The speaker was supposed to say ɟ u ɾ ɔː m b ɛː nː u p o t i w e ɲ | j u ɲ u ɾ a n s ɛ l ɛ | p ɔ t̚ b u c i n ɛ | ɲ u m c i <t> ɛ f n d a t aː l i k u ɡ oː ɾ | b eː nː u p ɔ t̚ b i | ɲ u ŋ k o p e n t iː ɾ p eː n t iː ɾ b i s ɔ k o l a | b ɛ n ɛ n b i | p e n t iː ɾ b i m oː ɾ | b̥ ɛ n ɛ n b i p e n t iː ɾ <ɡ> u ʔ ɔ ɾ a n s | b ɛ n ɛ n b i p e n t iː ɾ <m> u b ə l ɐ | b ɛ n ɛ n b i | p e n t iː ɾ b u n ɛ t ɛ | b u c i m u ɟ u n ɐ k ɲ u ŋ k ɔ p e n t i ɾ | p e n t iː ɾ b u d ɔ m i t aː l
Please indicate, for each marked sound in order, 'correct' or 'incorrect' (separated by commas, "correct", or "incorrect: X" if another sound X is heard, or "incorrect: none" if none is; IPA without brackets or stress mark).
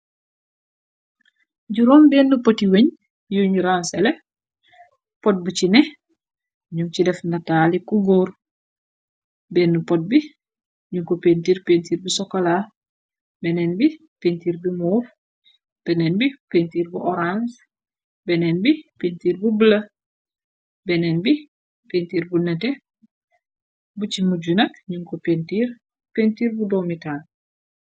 incorrect: d, incorrect: b, incorrect: b